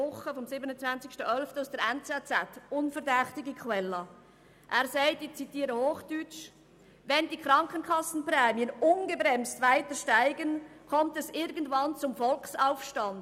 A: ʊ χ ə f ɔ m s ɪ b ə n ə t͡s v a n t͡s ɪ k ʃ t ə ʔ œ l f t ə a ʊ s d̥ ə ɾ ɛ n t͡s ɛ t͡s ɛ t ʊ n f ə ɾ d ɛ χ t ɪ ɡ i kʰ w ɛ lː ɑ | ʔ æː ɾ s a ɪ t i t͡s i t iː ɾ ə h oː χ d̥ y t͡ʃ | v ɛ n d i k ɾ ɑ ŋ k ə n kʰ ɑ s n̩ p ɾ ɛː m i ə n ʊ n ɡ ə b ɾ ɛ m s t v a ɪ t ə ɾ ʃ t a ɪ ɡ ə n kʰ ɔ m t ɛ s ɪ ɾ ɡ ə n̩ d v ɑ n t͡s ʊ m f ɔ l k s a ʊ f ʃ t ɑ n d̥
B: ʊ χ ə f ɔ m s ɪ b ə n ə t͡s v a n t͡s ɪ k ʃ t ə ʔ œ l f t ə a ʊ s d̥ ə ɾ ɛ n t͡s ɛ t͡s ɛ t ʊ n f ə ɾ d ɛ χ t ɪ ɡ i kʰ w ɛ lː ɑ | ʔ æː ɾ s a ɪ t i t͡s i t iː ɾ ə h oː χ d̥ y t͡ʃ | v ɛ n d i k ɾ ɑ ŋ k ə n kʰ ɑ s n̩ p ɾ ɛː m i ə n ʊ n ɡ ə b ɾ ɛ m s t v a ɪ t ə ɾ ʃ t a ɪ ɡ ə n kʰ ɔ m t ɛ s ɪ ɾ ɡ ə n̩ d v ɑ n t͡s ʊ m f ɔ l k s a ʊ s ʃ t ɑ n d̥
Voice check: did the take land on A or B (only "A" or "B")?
A